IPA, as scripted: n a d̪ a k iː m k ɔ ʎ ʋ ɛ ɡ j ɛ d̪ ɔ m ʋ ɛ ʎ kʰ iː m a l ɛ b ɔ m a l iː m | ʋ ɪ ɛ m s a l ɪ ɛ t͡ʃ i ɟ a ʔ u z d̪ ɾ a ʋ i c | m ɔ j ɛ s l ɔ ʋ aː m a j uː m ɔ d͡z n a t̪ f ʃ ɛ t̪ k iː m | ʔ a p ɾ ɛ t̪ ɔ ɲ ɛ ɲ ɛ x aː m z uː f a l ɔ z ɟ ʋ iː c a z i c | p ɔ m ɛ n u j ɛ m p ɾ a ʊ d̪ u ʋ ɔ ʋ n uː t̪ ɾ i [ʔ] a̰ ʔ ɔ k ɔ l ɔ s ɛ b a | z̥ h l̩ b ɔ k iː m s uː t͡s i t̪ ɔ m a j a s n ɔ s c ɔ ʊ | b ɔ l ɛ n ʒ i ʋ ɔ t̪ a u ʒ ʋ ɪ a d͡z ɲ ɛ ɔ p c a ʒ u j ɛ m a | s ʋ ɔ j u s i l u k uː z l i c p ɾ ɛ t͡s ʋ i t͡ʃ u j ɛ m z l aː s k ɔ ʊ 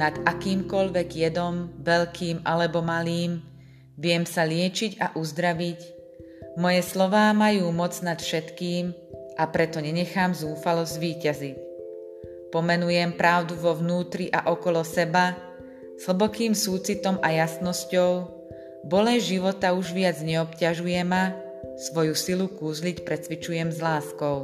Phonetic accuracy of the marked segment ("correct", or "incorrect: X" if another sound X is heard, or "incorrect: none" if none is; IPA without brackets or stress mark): correct